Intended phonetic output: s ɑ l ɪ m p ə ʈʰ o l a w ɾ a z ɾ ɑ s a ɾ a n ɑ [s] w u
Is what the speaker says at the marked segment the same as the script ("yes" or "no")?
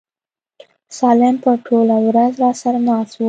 yes